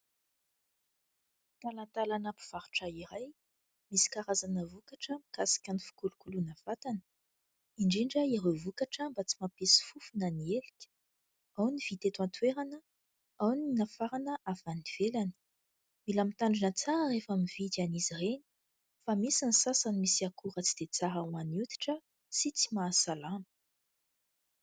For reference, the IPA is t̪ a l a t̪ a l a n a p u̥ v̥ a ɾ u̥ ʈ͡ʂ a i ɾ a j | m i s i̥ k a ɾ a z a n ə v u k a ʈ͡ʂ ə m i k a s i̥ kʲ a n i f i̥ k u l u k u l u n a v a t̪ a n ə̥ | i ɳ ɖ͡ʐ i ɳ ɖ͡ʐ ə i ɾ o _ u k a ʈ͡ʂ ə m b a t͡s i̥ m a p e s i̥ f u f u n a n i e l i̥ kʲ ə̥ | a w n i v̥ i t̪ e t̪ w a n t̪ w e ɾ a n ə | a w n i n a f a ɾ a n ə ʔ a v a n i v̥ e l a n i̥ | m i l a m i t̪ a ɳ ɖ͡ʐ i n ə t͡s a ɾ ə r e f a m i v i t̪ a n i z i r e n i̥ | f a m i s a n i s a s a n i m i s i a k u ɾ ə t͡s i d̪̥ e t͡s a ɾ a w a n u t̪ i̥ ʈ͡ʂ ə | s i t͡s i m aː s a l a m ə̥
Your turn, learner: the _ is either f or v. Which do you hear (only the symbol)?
v